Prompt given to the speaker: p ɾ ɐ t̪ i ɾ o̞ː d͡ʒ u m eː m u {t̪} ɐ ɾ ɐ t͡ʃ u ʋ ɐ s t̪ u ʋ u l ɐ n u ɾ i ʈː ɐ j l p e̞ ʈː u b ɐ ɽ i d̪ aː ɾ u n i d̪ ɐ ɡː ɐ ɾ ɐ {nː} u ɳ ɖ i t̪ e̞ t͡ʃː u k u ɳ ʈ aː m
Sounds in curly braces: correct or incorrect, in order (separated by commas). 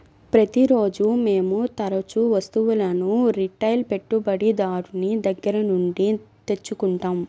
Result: correct, incorrect